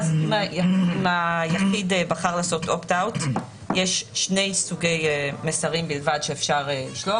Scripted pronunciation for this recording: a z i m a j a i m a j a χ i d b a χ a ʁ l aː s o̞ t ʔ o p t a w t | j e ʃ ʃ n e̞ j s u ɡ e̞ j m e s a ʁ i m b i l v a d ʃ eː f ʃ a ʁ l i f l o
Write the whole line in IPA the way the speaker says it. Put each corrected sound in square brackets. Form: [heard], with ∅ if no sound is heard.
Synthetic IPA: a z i m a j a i m a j a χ i d b a χ a ʁ l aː s o̞ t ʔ o p t a w t | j e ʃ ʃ n e̞ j s u ɡ e̞ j m e s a ʁ i m b i l v a d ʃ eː f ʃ a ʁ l i [ʃ] l o